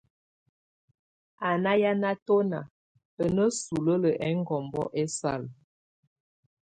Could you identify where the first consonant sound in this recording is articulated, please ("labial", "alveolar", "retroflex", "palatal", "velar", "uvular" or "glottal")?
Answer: alveolar